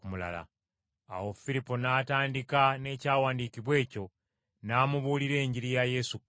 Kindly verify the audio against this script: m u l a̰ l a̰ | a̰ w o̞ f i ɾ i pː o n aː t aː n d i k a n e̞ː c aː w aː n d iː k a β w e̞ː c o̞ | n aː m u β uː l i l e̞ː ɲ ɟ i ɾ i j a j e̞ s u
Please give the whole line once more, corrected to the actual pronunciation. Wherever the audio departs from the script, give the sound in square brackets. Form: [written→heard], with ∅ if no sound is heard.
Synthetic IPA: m u l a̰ l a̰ | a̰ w o̞ f i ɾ i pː o n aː t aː n d i k a n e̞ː c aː w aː n d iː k [a→i] β w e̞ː c o̞ | n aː m u β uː l i [l→ɾ] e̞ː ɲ ɟ i ɾ i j a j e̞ s u